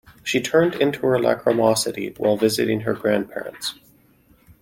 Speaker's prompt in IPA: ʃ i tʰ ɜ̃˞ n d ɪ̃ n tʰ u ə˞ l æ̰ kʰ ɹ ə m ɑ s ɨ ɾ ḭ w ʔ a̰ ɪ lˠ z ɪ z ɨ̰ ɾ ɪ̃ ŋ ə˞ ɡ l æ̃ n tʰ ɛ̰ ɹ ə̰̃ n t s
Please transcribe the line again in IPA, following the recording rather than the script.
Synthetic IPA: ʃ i tʰ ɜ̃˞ n d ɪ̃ n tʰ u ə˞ l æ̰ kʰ ɹ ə m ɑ s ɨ ɾ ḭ w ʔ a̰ ɪ lˠ v ɪ z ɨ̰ ɾ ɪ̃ ŋ ə˞ ɡ ɹ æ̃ n pʰ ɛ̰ ɹ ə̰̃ n t s